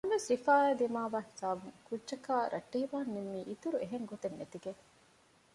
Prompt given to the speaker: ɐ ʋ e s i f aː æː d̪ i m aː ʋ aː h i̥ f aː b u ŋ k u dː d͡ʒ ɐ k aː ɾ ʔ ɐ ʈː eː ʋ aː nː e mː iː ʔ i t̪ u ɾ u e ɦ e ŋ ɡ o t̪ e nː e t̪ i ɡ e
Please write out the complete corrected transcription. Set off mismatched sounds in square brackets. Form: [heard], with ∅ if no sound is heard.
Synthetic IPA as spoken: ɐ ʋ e s i f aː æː d̪ i m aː ʋ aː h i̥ [s] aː b u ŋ k u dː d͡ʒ ɐ k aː ɾ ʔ ɐ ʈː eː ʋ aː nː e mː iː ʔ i t̪ u ɾ u e ɦ e ŋ ɡ o t̪ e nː e t̪ i ɡ e

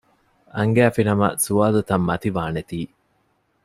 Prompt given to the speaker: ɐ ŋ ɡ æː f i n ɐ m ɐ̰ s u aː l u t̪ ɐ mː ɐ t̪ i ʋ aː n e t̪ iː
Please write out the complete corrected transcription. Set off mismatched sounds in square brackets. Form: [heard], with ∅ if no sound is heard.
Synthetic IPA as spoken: ɐ ŋ ɡ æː f i n ɐ m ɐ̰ s u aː l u t̪ ɐ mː ɐ t̪ i ʋ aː n e t̪ iː

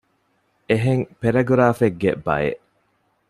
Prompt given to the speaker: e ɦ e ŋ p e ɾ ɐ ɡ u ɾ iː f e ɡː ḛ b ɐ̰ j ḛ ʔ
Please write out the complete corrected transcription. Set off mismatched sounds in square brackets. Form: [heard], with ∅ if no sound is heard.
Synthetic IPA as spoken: e ɦ e ŋ p e ɾ ɐ ɡ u ɾ [aː] f e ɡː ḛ b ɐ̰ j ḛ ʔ

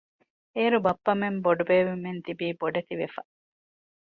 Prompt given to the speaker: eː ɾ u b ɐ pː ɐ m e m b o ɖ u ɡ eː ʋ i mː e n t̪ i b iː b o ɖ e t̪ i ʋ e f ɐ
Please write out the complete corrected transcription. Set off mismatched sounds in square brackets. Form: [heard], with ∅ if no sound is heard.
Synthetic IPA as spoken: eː ɾ u b ɐ pː ɐ m e m b o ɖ u [b] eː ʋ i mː e n t̪ i b iː b o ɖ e t̪ i ʋ e f ɐ

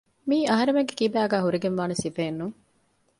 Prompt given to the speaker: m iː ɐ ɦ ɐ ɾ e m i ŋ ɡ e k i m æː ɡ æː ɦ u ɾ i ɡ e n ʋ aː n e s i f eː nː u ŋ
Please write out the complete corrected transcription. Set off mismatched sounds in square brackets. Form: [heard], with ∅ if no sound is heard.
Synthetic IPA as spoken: m iː ɐ ɦ ɐ ɾ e m [e] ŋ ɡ e k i [b] æː ɡ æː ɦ u ɾ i ɡ e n ʋ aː n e s i f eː nː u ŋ

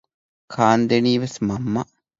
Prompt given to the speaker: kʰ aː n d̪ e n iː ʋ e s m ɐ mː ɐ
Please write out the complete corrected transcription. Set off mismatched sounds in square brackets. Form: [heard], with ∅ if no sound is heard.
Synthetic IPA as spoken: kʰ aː n d̪ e n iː ʋ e s m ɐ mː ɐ

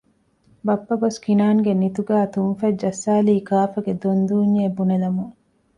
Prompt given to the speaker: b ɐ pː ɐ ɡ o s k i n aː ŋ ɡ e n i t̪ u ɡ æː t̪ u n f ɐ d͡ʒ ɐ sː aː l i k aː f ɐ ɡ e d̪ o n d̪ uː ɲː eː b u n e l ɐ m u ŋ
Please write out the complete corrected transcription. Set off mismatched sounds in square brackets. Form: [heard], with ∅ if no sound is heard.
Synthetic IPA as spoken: b ɐ pː ɐ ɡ o s k i n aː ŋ ɡ e n i t̪ u ɡ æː t̪ u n f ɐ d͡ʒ ɐ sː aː l [iː] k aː f ɐ ɡ e d̪ o n d̪ uː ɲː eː b u n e l ɐ m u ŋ

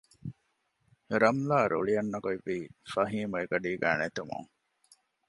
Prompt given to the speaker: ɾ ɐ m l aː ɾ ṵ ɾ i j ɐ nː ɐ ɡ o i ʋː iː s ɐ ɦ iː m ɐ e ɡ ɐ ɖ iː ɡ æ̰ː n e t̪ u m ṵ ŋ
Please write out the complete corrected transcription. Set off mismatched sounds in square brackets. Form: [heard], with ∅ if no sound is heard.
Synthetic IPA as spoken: ɾ ɐ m l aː ɾ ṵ [ɭ] i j ɐ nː ɐ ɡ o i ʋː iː [f] ɐ ɦ iː m ɐ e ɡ ɐ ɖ iː ɡ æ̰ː n e t̪ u m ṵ ŋ

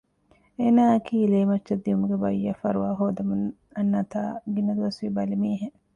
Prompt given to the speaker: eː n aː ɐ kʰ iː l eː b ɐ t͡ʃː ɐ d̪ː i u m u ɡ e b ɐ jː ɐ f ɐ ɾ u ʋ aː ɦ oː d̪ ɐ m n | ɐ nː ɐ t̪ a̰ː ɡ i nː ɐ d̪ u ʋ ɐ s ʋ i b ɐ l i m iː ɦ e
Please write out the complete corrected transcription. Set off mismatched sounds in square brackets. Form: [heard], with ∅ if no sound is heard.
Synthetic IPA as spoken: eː n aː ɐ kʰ iː l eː [m] ɐ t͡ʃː ɐ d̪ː i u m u ɡ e b ɐ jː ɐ f ɐ ɾ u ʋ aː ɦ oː d̪ ɐ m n | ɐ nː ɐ t̪ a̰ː ɡ i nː ɐ d̪ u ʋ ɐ s ʋ i b ɐ l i m iː ɦ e

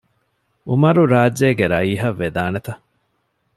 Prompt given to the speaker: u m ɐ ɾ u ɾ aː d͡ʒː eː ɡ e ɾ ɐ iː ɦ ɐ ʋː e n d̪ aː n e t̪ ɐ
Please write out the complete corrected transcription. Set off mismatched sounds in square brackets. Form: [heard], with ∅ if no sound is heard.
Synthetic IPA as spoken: u m ɐ ɾ u ɾ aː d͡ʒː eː ɡ e ɾ ɐ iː ɦ ɐ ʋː e [∅] d̪ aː n e t̪ ɐ

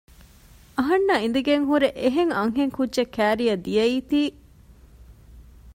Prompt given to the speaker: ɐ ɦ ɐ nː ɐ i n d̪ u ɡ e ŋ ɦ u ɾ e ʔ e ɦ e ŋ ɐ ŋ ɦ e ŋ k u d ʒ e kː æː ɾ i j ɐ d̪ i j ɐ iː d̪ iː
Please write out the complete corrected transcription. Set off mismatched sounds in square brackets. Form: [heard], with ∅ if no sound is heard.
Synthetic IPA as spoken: ɐ ɦ ɐ nː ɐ i n d̪ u ɡ e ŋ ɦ u ɾ e ʔ e ɦ e ŋ ɐ ŋ ɦ e ŋ k u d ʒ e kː æː ɾ i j ɐ d̪ i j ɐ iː [t̪] iː

